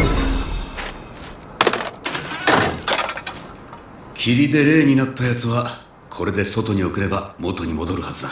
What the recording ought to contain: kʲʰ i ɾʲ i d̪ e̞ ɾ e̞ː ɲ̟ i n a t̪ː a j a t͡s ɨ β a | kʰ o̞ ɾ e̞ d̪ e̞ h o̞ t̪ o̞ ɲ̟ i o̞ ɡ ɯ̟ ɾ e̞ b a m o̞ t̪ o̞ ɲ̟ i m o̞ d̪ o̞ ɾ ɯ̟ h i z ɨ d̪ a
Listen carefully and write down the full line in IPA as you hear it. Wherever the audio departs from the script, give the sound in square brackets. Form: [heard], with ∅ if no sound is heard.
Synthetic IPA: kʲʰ i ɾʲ i d̪ e̞ ɾ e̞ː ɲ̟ i n a t̪ː a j a t͡s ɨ β a | kʰ o̞ ɾ e̞ d̪ e̞ [s] o̞ t̪ o̞ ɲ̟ i o̞ [k] ɯ̟ ɾ e̞ b a m o̞ t̪ o̞ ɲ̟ i m o̞ d̪ o̞ ɾ ɯ̟ h [a] z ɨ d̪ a